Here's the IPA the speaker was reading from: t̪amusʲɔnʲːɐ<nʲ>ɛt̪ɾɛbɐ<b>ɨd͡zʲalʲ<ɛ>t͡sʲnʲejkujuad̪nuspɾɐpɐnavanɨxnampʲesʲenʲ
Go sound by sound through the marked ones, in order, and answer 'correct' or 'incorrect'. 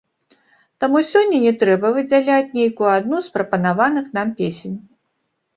correct, incorrect: v, incorrect: a

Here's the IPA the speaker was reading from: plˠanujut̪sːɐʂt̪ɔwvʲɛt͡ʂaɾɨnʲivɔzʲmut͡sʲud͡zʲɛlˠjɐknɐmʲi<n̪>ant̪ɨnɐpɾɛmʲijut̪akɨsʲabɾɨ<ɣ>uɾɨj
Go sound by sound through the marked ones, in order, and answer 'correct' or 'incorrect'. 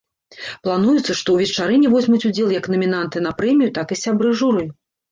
correct, incorrect: ʐ

